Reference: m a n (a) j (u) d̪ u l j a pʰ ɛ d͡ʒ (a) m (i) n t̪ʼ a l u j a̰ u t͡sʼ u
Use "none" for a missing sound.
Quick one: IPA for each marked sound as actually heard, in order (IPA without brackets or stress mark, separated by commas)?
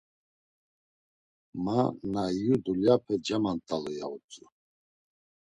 a, u, a, a